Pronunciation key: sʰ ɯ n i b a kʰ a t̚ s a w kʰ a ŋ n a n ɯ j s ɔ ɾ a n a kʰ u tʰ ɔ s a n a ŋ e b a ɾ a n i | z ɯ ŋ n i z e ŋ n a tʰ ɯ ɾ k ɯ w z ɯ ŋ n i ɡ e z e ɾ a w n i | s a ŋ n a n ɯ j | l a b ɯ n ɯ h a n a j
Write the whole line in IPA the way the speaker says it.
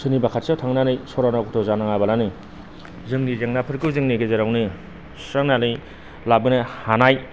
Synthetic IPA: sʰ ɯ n i b a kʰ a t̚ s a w tʰ a ŋ n a n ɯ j s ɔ ɾ a n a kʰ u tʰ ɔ z a n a ŋ a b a l a n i | z ɯ ŋ n i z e ŋ n a pʰ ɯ ɾ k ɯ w z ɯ ŋ n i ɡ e z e ɾ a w n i | s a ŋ n a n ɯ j | l a b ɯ n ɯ h a n a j